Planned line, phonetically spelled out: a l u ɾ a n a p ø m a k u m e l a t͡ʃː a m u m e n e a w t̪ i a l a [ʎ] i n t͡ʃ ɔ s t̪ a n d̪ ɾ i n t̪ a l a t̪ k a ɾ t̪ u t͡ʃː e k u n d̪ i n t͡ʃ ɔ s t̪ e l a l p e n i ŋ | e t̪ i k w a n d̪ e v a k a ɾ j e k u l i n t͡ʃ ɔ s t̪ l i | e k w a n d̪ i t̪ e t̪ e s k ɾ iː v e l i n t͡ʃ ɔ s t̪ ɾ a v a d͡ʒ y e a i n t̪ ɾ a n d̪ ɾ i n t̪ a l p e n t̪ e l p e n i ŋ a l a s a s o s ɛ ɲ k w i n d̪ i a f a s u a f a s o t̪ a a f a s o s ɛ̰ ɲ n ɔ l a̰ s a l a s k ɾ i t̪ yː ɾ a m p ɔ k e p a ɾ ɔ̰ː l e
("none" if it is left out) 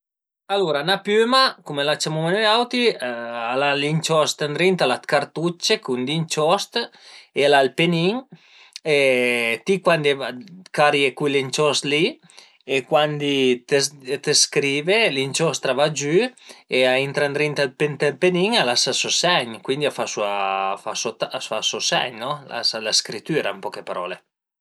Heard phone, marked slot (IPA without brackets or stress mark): l